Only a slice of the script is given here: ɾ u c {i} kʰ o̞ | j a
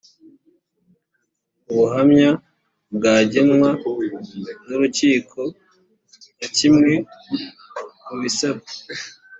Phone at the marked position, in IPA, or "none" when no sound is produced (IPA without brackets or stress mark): iː